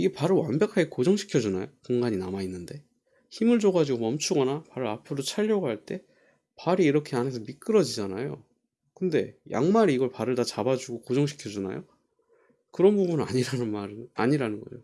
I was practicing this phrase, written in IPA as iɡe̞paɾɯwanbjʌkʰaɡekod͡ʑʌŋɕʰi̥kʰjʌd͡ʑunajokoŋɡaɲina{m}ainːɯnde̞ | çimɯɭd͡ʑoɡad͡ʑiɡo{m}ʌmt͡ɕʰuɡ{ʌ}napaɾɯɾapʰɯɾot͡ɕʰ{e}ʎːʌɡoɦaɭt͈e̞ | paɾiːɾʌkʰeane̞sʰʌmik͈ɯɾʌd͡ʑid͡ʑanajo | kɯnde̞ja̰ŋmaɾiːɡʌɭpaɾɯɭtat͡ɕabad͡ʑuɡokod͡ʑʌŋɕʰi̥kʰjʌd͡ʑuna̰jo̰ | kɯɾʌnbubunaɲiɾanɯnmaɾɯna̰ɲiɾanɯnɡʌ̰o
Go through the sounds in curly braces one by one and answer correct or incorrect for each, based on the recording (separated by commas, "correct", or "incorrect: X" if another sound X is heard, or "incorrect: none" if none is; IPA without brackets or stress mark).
correct, correct, correct, incorrect: a